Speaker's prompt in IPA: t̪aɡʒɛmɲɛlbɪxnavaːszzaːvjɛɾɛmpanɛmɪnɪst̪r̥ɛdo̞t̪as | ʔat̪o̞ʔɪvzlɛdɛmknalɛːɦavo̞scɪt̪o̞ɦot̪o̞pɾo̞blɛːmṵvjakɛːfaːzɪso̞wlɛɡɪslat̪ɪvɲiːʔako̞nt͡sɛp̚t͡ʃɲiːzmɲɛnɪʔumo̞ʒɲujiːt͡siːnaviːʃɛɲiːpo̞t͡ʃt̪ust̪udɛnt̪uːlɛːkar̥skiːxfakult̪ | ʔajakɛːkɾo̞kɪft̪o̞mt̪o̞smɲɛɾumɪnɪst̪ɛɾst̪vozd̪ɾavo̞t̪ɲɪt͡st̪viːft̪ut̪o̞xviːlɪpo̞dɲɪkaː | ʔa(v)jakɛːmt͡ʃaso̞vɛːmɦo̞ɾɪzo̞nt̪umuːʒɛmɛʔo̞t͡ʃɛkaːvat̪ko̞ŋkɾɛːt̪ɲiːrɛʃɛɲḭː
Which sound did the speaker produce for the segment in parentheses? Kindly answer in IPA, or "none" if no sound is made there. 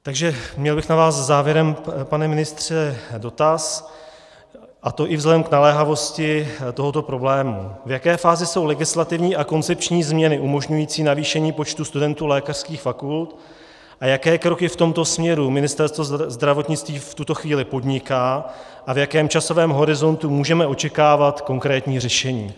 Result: v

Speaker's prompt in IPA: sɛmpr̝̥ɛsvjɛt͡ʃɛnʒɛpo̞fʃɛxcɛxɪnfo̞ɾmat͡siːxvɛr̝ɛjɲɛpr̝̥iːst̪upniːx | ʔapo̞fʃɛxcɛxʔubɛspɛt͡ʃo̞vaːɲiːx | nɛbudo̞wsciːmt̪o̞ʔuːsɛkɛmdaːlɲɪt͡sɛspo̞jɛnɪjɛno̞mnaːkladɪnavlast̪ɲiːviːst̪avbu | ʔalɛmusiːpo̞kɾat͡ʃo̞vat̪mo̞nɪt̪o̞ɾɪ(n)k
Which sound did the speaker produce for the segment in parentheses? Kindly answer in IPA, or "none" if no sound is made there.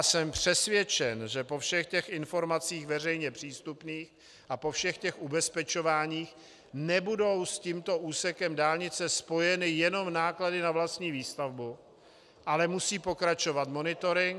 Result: ŋ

